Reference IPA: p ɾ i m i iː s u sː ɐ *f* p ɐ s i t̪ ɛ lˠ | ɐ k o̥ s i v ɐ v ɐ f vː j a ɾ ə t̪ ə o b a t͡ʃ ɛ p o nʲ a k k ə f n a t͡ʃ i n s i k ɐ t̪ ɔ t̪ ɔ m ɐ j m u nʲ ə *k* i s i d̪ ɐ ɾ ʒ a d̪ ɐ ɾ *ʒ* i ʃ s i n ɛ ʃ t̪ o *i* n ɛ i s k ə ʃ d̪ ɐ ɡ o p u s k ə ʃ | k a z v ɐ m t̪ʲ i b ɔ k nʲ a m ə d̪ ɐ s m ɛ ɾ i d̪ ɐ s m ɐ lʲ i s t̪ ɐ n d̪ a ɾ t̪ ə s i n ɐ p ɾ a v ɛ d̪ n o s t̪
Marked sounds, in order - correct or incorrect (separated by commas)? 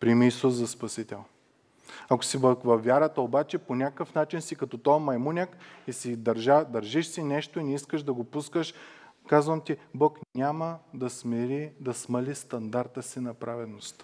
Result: incorrect, correct, correct, correct